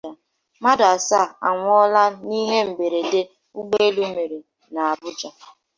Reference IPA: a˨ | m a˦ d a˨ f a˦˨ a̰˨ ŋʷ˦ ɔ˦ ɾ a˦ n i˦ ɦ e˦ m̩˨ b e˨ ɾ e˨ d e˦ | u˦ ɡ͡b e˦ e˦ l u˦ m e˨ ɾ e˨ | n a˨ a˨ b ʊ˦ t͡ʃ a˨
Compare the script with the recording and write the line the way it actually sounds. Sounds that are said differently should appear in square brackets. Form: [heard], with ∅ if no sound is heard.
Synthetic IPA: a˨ | m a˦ d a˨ [s] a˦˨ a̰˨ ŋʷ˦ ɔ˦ [l] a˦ n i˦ ɦ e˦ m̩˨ b e˨ ɾ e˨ d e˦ | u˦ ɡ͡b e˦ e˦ l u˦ m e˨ ɾ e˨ | n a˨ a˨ b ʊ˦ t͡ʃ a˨